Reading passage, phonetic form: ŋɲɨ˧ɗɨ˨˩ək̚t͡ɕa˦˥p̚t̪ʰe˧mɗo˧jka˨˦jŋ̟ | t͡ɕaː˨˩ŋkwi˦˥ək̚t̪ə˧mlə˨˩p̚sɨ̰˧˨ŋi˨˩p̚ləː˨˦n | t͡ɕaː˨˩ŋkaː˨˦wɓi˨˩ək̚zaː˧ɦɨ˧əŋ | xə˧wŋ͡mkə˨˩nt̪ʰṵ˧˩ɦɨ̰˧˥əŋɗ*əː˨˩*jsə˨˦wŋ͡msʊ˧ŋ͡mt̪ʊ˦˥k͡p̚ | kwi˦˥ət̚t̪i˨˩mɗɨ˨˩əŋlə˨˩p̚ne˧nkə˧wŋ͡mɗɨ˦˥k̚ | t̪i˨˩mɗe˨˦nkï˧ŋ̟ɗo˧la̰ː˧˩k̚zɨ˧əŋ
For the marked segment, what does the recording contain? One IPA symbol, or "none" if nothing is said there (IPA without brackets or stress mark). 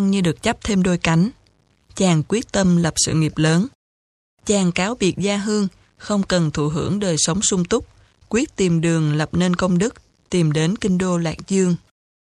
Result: əː˨˩